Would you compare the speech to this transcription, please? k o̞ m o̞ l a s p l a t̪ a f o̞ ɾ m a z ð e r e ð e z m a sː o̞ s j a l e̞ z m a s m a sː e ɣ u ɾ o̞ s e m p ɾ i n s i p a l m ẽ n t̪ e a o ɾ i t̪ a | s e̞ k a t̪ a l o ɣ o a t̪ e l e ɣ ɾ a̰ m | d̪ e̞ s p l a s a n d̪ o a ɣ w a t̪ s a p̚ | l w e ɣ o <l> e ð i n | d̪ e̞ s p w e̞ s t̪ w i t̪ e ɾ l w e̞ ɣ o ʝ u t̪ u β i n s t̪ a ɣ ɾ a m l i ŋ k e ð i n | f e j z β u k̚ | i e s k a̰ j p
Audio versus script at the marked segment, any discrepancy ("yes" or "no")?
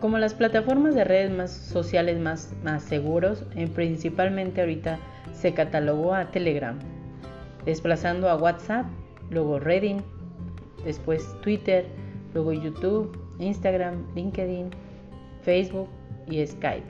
yes